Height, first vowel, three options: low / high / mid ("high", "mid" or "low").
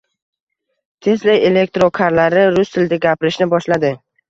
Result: mid